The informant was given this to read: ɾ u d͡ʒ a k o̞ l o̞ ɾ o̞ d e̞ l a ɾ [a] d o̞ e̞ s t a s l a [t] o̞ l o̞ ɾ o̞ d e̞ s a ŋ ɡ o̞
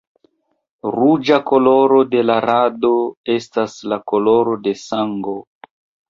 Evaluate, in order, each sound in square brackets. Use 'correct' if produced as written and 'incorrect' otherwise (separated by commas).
correct, incorrect